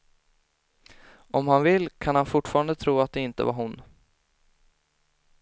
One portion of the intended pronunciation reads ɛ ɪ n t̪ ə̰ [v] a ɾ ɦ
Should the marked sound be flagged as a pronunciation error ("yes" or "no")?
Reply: no